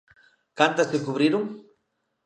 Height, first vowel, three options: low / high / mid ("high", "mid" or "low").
low